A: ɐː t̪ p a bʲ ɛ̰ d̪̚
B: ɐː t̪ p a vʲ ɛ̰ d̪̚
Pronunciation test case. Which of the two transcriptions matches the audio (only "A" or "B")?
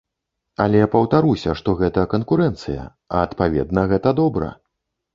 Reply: B